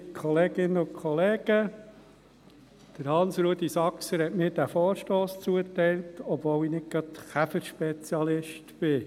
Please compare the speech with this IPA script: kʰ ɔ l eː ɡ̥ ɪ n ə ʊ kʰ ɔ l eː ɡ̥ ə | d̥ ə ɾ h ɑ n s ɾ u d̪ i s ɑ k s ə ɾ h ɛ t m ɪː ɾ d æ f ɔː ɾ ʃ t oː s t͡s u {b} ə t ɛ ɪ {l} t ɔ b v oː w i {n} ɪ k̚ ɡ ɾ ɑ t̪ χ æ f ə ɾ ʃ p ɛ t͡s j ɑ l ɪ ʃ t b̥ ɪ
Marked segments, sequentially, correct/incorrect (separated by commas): incorrect, correct, correct